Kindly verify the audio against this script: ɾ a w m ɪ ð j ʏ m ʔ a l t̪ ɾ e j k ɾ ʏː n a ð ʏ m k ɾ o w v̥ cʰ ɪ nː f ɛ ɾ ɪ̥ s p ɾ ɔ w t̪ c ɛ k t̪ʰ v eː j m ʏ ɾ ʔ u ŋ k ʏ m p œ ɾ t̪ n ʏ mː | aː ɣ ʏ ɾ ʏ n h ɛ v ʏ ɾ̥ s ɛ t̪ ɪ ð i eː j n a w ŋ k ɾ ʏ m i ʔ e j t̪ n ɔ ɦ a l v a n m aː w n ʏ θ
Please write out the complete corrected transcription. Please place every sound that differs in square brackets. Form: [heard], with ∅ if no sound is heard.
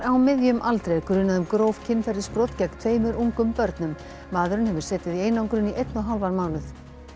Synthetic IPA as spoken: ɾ a w m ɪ ð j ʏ m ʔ a l t̪ ɾ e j k ɾ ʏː n a ð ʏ m k ɾ o w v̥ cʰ ɪ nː f ɛ ɾ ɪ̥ s p ɾ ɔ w t̪ c ɛ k t̪ʰ v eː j m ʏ ɾ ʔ u ŋ k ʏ m p œ ɾ t̪ n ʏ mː | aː [ð] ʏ ɾ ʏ n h ɛ v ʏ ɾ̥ s [ɛː] t̪ ɪ ð i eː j n a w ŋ k ɾ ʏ [n] i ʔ e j t̪ n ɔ ɦ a l v a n m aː w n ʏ θ

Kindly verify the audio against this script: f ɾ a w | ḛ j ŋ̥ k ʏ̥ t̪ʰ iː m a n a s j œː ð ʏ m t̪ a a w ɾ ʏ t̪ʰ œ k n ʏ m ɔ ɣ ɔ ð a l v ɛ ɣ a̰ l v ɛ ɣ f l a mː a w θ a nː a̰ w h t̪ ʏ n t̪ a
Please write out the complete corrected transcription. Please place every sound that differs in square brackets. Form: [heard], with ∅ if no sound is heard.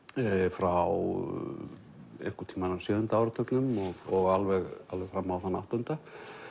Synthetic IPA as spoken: f ɾ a w | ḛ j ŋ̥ k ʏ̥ t̪ʰ iː m a n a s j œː ð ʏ [n] t̪ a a w ɾ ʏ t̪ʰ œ k n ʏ m ɔ ɣ ɔ [ɣ] a l v ɛ ɣ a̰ l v ɛ ɣ f [ɾ] a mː a w θ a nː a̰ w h t̪ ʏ n t̪ a

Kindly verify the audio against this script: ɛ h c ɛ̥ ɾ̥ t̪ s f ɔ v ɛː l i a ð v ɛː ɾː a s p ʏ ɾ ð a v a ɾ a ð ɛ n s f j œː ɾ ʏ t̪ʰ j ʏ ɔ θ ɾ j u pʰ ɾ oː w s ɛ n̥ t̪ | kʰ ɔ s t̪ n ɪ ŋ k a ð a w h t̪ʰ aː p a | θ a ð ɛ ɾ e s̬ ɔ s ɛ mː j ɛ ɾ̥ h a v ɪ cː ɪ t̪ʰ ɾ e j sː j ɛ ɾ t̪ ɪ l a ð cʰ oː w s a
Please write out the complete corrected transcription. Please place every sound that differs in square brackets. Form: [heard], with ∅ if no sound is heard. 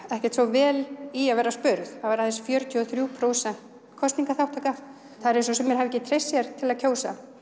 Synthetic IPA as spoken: ɛ h c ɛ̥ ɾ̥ t̪ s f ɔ v ɛː l i a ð v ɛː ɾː a s p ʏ ɾ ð a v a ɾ a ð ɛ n s f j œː ɾ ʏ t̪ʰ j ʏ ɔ θ ɾ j u pʰ ɾ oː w s ɛ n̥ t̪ | kʰ ɔ s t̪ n [i] ŋ k a [θ] a w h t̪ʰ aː [k] a | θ a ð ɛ ɾ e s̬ ɔ s ɛ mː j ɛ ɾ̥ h a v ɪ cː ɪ t̪ʰ ɾ e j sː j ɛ ɾ [t̪ʰ] ɪ l a ð cʰ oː w s a

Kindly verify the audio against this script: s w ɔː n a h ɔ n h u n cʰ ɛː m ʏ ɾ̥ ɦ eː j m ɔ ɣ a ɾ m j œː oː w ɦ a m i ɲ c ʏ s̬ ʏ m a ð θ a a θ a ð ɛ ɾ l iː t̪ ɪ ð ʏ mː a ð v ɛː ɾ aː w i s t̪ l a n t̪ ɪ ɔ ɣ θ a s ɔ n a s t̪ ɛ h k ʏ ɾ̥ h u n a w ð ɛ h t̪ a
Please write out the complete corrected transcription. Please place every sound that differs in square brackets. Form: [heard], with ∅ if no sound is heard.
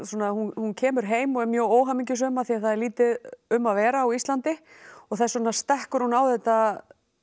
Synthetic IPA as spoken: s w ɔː n a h [u] n h u n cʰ ɛː m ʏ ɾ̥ ɦ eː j m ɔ ɣ [ɛ] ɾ m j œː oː w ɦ a m i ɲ c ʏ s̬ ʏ m a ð θ [i] a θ a ð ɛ ɾ l iː t̪ ɪ ð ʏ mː a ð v ɛː ɾ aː w i s t̪ l a n t̪ ɪ ɔ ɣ θ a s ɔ n a s t̪ ɛ h k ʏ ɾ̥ h u n a w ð ɛ h t̪ a

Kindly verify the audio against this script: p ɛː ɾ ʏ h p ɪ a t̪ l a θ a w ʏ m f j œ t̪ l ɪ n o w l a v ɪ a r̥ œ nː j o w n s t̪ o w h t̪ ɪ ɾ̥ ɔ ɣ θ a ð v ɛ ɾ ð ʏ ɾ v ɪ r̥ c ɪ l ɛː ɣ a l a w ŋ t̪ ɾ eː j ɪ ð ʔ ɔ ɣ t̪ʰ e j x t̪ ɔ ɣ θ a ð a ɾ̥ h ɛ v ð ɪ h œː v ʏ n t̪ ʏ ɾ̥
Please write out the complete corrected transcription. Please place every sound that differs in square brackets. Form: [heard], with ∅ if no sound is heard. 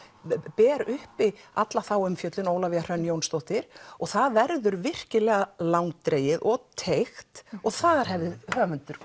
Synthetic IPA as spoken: p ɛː ɾ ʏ h p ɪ a t̪ l a θ a w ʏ m f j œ t̪ l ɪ n o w l a v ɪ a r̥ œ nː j o w n s t̪ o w h t̪ ɪ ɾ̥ ɔ ɣ θ a ð v ɛ ɾ ð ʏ ɾ v ɪ r̥ c ɪ l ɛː ɣ a l a w ŋ t̪ ɾ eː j ɪ ð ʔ ɔ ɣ t̪ʰ e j x t̪ ɔ ɣ θ a ð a ɾ̥ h ɛ v ð ɪ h œː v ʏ n t̪ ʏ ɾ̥

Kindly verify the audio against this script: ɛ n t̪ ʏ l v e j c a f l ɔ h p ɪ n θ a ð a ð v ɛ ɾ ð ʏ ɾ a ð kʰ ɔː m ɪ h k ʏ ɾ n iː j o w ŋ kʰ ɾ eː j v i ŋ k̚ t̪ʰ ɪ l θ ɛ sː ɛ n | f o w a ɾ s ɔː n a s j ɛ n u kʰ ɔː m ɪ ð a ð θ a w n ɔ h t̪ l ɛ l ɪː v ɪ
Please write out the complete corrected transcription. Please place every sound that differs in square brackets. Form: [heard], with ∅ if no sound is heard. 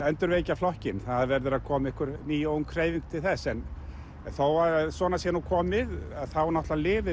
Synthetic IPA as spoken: ɛ n t̪ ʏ [ɾ] v e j c a f l ɔ h [c] ɪ n θ a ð a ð v ɛ ɾ ð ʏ ɾ a ð kʰ ɔː m ɪ h k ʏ ɾ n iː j o w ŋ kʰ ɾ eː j v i ŋ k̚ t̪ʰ ɪ l θ ɛ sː ɛ n | [θ] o w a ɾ s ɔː n a s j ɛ n u kʰ ɔː m ɪ ð a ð θ a w n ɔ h t̪ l [a] l ɪː v ɪ

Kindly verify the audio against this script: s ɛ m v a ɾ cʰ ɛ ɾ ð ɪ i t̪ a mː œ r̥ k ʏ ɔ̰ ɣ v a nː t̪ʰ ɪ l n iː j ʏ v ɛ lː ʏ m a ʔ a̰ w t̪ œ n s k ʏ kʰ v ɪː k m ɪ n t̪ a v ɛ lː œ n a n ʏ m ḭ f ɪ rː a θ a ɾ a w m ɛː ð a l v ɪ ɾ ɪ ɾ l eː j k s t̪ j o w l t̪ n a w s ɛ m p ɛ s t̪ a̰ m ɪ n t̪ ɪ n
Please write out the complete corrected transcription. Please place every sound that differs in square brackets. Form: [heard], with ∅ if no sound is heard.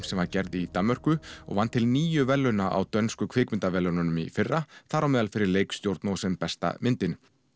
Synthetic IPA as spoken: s ɛ m v a ɾ [c] ɛ ɾ ð ɪ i t̪ a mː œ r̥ k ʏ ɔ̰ ɣ v a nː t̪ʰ ɪ l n iː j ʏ v ɛ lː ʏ [n] a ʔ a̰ w t̪ œ n s k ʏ kʰ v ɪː k m ɪ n t̪ a v ɛ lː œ n a n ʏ m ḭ f ɪ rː a θ a ɾ a w m ɛː ð a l [f] ɪ ɾ ɪ ɾ l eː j k s t̪ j o w [ɾ] t̪ n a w s ɛ m p ɛ s t̪ a̰ m ɪ n t̪ ɪ n

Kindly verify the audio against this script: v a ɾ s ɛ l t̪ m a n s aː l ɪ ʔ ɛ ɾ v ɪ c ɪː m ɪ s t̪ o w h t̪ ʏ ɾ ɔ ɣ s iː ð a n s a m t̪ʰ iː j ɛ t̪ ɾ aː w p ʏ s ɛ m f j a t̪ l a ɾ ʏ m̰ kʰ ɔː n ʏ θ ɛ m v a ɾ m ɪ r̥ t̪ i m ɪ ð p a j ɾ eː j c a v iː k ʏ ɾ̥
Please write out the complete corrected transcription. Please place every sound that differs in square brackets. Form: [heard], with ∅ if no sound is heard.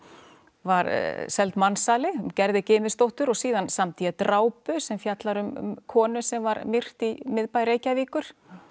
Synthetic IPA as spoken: v a ɾ s ɛ l t̪ m a n s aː l ɪ [c] ɛ ɾ [ð] ɪ c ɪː m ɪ s t̪ o w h t̪ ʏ ɾ ɔ ɣ s iː ð a n s a m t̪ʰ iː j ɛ t̪ ɾ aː w p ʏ s ɛ m f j a t̪ l a ɾ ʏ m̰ kʰ ɔː n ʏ [s] ɛ m v a ɾ m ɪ r̥ t̪ i m ɪ ð p a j ɾ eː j c a v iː k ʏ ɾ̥

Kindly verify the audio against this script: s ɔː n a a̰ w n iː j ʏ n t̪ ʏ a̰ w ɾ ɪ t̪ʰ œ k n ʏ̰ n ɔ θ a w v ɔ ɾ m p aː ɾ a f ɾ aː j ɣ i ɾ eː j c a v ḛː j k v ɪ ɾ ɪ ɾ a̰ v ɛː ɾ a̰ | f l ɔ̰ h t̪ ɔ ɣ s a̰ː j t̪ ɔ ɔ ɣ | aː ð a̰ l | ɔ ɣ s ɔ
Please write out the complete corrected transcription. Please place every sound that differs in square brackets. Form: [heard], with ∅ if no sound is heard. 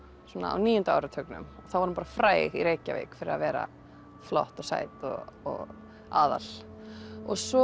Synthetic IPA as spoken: s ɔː n a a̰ w n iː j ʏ n t̪ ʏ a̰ w ɾ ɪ t̪ʰ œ k n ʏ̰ [m] ɔ θ a w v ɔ ɾ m p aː ɾ a f ɾ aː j ɣ i ɾ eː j c a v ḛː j k [f] ɪ ɾ ɪ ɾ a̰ v ɛː ɾ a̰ | f l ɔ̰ h t̪ ɔ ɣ s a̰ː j t̪ ɔ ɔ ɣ | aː ð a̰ l | ɔ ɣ s ɔ

